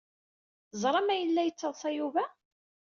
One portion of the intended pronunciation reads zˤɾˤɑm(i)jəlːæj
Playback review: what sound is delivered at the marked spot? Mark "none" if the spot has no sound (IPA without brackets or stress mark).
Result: æ